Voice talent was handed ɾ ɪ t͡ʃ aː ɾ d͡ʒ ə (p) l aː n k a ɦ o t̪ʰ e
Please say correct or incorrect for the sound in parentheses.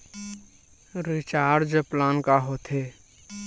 correct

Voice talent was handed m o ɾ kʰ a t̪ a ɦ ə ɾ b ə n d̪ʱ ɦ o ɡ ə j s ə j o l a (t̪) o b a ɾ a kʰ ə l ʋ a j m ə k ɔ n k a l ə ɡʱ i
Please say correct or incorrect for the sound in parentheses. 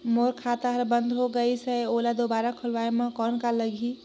incorrect: d̪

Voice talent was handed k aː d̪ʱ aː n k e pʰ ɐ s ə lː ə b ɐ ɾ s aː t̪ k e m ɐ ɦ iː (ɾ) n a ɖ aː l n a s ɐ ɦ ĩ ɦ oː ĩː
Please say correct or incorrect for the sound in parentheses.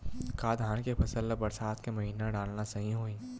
incorrect: none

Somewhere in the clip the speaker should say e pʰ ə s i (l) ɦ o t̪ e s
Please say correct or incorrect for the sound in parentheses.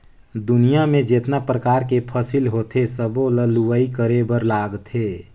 correct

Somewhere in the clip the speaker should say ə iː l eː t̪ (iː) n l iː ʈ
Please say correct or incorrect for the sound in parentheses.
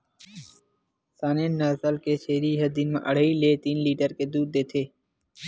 correct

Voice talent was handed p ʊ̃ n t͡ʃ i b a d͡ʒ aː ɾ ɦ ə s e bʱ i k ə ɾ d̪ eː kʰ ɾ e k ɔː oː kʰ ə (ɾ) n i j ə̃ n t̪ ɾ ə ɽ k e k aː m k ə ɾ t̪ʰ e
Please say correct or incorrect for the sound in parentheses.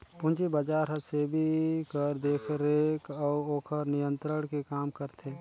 correct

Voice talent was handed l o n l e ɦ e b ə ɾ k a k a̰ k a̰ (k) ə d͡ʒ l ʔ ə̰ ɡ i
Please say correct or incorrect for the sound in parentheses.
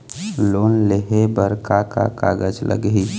incorrect: ɡ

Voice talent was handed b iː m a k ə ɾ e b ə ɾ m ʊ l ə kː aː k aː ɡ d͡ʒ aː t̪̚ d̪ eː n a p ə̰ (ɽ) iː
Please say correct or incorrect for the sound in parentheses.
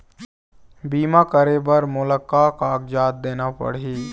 correct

